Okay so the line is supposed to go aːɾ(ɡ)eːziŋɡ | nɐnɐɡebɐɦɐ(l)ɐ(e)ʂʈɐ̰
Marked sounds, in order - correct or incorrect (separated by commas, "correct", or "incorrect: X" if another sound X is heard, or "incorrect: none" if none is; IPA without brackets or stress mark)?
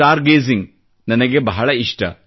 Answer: correct, incorrect: ɭ, incorrect: i